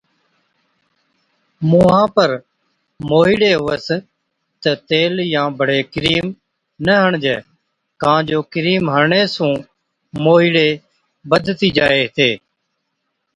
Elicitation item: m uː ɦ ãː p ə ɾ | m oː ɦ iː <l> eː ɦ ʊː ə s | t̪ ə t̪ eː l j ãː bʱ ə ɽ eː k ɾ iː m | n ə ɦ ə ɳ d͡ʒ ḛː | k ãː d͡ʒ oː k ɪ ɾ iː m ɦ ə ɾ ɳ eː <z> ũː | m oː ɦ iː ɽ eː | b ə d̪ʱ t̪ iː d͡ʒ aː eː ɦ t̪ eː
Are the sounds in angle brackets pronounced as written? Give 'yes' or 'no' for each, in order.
no, no

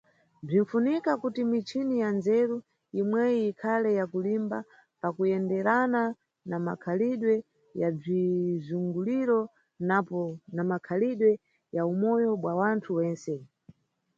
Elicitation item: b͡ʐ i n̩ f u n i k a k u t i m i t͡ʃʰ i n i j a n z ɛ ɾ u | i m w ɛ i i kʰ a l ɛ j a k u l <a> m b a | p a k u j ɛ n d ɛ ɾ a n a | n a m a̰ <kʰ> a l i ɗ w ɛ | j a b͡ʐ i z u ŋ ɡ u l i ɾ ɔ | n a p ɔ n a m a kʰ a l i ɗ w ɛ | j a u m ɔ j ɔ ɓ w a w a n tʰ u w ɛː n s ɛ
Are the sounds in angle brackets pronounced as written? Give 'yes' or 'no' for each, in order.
no, yes

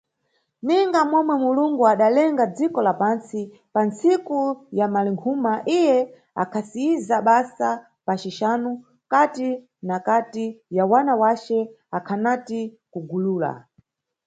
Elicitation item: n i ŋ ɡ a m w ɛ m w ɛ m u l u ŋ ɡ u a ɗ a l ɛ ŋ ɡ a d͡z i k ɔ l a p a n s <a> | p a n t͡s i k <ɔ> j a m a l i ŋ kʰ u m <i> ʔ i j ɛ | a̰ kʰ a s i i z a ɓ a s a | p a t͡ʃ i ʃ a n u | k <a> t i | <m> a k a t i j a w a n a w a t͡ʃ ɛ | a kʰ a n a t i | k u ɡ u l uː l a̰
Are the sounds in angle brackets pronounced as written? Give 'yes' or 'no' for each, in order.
no, no, no, yes, no

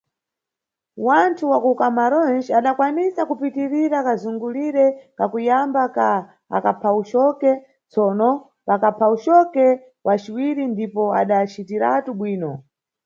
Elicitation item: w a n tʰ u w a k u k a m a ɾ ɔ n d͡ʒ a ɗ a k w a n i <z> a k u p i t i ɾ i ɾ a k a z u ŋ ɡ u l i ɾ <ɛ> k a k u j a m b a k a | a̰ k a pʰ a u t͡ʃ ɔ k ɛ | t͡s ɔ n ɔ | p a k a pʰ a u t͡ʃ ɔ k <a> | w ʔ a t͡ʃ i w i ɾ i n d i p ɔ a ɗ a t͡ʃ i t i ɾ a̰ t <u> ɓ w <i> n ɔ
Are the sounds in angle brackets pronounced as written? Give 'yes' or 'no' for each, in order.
no, yes, no, yes, no

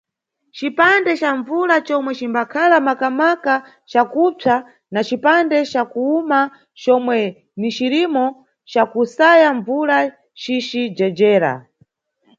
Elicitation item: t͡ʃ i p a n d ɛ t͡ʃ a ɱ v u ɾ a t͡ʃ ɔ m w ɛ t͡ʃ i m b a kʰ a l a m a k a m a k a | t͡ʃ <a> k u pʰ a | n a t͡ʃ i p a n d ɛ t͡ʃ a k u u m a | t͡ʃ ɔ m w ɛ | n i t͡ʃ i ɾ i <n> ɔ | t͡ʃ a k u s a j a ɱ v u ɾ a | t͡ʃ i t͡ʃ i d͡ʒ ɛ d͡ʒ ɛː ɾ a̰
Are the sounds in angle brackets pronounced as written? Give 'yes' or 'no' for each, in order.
yes, no

